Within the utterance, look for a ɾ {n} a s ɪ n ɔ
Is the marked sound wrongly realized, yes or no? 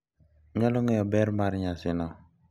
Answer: yes